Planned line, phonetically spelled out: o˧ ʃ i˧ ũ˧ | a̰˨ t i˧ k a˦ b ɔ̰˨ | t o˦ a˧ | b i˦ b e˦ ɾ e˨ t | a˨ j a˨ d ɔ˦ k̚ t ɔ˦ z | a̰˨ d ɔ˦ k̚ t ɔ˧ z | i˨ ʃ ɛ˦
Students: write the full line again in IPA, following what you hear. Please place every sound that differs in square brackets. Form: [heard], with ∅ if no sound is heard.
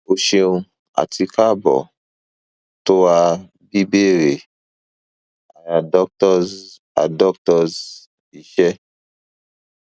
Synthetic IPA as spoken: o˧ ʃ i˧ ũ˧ | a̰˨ t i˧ k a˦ b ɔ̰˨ | t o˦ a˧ | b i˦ b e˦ ɾ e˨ [∅] | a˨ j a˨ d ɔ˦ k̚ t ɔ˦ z | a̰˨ d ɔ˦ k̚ t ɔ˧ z | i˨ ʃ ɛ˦